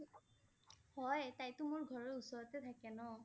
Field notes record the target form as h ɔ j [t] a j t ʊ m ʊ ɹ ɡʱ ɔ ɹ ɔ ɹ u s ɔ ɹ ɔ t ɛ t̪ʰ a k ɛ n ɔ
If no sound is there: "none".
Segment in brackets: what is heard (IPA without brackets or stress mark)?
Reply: t